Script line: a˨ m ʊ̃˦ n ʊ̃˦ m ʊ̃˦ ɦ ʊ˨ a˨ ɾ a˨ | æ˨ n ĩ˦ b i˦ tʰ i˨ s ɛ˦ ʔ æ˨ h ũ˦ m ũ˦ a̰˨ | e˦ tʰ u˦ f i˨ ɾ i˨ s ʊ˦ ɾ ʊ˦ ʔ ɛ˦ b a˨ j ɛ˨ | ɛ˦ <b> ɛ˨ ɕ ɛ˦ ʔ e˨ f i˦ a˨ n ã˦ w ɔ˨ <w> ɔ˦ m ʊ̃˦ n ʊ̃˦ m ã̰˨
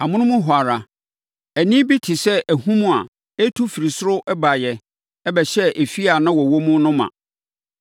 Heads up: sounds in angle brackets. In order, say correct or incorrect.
correct, correct

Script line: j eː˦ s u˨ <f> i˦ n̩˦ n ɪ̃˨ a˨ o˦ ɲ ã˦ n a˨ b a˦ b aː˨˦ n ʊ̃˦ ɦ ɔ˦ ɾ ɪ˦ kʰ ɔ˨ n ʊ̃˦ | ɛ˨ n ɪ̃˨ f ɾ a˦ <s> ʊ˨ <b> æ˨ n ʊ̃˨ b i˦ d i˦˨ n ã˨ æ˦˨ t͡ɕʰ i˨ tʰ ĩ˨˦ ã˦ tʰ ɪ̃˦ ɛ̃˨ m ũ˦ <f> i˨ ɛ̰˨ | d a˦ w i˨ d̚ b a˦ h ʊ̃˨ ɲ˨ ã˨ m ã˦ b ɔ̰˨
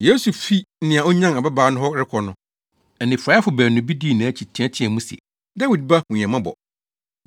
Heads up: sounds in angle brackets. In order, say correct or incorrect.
correct, incorrect, correct, incorrect

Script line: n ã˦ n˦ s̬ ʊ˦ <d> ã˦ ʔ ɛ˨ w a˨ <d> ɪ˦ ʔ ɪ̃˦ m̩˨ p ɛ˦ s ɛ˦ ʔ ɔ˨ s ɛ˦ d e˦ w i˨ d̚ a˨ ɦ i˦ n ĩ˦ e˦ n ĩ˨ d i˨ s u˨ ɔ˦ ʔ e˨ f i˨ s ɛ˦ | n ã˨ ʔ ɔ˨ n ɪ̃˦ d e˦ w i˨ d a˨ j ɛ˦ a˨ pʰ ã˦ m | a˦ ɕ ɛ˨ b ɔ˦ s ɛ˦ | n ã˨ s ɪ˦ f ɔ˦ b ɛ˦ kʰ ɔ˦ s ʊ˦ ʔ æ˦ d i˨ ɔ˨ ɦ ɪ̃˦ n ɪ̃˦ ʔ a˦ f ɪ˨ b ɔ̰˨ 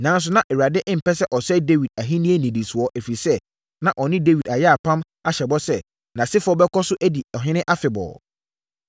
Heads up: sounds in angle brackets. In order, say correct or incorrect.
incorrect, correct

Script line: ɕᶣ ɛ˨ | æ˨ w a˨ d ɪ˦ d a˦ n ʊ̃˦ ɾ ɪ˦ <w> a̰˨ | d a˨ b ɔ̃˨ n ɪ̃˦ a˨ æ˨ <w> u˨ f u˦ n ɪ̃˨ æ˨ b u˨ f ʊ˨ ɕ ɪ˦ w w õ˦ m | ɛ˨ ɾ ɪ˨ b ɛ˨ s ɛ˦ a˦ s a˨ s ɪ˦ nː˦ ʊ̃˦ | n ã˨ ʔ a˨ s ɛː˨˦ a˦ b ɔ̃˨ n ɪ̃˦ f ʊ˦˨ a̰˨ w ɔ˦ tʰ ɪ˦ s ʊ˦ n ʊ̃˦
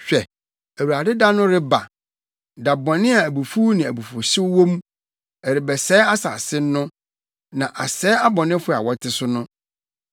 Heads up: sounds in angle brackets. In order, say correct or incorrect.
incorrect, incorrect

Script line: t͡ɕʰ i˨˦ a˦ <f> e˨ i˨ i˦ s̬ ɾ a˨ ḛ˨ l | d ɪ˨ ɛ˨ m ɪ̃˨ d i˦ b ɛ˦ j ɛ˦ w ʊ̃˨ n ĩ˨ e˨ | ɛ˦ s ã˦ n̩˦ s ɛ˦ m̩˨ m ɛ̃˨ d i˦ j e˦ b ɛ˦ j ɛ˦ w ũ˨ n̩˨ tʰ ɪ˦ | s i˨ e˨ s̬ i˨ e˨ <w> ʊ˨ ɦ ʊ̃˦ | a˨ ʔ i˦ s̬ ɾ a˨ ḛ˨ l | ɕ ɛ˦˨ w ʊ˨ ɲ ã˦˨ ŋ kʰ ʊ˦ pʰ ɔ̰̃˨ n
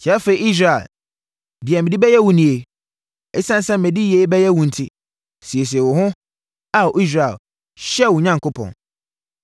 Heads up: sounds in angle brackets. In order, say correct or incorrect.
correct, correct

